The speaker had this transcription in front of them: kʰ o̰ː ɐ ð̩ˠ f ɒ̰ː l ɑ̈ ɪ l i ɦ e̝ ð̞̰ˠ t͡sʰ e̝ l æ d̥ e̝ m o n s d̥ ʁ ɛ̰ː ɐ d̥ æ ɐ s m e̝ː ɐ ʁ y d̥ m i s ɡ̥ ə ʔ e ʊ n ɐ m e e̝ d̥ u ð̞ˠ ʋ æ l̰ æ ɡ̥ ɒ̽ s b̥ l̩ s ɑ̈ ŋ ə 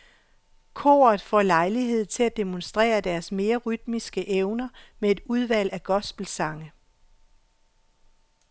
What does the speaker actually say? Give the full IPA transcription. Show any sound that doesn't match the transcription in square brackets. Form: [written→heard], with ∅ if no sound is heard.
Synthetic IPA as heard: kʰ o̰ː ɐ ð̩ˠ f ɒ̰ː l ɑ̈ ɪ l i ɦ e̝ ð̞̰ˠ t͡sʰ e̝ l æ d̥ e̝ m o n s d̥ ʁ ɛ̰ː ɐ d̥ æ ɐ s m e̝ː ɐ ʁ y d̥ m i s ɡ̥ ə ʔ e ʊ n ɐ m e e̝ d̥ u ð̞ˠ ʋ æ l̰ æ ɡ̥ ɒ̽ s b̥ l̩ s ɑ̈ ŋ ə

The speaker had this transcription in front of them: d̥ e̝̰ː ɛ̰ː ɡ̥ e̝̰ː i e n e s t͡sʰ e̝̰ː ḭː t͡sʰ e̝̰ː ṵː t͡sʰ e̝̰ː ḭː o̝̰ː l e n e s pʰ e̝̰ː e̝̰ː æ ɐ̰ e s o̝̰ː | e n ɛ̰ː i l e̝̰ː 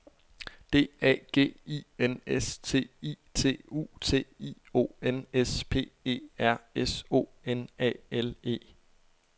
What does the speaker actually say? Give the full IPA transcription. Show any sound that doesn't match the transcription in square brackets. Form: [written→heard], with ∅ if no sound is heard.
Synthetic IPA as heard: d̥ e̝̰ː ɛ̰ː ɡ̥ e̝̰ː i e n e s t͡sʰ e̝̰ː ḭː t͡sʰ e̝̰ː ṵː t͡sʰ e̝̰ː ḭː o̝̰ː [l→∅] e n e s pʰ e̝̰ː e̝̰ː æ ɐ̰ e s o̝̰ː | e n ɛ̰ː [i→e] l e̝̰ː

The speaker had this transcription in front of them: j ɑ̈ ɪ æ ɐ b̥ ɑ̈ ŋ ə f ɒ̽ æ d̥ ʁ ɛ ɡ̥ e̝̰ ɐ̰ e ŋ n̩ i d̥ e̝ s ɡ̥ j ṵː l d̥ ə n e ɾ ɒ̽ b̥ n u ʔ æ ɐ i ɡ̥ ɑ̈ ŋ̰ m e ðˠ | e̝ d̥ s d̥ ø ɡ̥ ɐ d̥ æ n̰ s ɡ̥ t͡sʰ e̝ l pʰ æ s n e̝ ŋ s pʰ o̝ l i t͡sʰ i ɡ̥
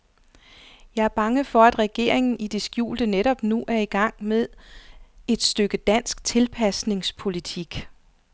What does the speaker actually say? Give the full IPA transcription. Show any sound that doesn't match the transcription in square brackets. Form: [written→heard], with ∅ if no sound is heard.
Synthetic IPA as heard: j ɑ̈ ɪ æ ɐ b̥ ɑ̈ ŋ ə f ɒ̽ æ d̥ ʁ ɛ ɡ̥ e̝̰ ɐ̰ e ŋ n̩ i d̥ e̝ s ɡ̥ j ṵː l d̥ ə n e ɾ ɒ̽ b̥ n u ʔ æ ɐ i ɡ̥ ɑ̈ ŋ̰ m e ðˠ | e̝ d̥ s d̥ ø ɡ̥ [ɐ→ə] d̥ æ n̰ s ɡ̥ t͡sʰ e̝ l pʰ æ s n e̝ ŋ s pʰ o̝ l i t͡sʰ i ɡ̥

